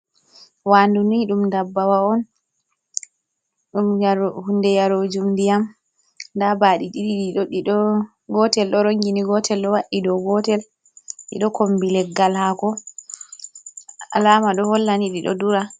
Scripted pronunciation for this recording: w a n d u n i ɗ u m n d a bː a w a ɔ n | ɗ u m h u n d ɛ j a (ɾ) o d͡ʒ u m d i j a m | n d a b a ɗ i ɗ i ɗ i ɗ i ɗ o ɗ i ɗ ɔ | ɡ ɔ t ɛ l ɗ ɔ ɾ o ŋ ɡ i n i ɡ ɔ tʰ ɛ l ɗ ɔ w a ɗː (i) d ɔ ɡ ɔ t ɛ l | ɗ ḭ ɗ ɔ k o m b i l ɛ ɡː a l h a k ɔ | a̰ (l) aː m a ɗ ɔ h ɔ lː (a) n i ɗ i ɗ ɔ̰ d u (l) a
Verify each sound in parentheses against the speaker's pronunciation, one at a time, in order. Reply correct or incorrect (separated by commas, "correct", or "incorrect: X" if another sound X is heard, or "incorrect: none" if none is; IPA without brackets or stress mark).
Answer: correct, correct, correct, correct, incorrect: ɾ